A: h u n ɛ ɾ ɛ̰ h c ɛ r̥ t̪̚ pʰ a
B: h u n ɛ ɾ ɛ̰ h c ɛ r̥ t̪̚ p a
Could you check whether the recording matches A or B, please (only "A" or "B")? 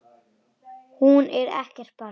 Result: B